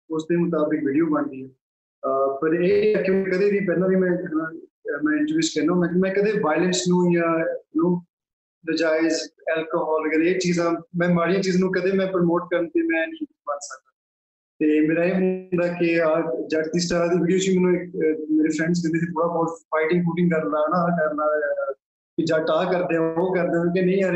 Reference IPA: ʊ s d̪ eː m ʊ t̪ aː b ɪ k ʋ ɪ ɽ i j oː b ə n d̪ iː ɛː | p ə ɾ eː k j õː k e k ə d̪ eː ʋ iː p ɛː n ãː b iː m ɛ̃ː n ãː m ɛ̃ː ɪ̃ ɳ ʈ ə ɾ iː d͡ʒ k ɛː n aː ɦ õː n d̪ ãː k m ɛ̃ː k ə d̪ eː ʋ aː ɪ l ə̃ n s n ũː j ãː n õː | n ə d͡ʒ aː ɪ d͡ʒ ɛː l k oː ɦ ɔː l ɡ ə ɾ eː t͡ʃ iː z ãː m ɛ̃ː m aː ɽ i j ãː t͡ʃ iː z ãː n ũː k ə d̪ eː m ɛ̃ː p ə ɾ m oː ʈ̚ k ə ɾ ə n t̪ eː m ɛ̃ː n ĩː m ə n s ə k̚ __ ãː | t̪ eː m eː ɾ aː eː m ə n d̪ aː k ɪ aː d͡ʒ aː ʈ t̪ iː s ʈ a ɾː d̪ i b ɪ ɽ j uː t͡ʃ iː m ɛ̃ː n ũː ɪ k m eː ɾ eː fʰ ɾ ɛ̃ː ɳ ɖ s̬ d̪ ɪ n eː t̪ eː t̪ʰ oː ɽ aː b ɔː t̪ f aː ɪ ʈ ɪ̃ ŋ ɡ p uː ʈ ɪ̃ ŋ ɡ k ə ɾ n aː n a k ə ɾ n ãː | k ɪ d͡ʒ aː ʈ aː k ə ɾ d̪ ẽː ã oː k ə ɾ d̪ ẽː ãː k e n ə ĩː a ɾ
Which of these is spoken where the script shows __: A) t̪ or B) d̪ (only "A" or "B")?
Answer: B